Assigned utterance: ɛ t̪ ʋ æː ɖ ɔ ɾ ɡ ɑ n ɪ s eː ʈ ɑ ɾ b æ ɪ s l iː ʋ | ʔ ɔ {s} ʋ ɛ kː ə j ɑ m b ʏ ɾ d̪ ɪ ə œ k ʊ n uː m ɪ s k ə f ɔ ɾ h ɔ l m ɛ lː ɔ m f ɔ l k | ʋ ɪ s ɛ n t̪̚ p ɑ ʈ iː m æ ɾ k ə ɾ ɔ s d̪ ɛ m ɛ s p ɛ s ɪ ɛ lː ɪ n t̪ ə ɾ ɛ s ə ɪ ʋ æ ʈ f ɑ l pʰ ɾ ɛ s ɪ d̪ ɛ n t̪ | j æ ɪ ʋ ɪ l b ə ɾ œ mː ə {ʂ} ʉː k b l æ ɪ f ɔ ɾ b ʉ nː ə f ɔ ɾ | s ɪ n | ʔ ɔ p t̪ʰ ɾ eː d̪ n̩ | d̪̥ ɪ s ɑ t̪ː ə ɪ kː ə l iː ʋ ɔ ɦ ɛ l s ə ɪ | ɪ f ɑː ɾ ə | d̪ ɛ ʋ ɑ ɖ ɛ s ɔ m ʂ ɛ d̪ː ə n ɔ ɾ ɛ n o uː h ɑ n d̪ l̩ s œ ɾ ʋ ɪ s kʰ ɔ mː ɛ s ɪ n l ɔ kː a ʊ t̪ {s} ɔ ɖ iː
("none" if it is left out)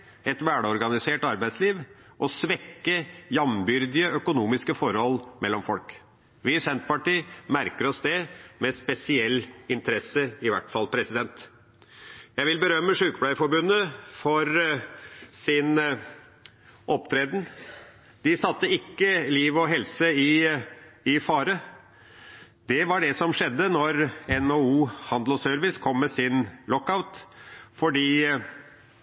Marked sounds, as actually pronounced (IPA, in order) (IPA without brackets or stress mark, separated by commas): s, ʂ, f